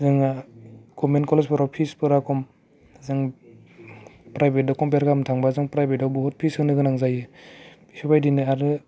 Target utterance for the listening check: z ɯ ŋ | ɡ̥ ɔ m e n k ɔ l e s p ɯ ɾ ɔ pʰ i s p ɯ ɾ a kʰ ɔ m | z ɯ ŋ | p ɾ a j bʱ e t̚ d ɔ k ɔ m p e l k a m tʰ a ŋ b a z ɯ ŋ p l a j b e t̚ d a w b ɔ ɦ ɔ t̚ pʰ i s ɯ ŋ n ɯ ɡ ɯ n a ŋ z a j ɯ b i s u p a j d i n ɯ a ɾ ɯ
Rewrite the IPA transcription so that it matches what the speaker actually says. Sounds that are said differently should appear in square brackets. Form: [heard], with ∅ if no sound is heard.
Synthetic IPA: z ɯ ŋ | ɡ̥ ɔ m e n k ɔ l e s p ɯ ɾ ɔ pʰ i s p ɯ ɾ a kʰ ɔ m | z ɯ ŋ | p ɾ a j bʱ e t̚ d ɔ k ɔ m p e [ɾ] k a m tʰ a ŋ b a z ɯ ŋ p [ɾ] a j b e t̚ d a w b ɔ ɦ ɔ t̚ pʰ i s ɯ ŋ n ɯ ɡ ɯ n a ŋ z a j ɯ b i s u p a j d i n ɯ a ɾ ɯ